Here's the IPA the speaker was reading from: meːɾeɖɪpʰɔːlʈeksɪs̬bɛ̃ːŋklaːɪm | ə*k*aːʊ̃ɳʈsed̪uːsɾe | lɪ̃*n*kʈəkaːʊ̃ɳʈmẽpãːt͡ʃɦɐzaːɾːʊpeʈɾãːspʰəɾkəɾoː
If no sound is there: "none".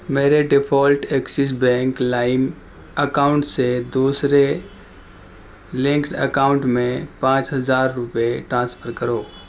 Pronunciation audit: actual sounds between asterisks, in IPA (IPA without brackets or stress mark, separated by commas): k, ŋ